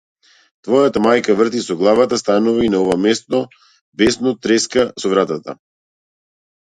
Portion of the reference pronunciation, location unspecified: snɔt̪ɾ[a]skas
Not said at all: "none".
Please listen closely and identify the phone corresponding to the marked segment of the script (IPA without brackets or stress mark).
ɛ